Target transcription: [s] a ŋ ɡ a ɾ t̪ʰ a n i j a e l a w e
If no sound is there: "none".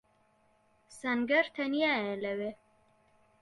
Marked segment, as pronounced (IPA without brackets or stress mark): s